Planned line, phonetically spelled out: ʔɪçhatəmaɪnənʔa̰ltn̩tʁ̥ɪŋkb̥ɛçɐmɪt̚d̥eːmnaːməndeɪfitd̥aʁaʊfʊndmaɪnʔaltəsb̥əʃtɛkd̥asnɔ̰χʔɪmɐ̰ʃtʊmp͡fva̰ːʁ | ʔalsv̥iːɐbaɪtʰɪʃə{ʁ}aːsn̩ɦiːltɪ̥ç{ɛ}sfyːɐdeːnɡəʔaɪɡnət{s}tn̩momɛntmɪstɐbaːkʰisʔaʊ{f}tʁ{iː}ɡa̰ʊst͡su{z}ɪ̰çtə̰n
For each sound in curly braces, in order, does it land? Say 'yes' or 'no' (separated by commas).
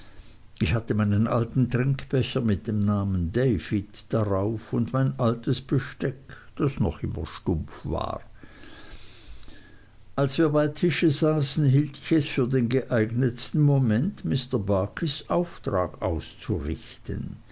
no, yes, yes, yes, no, no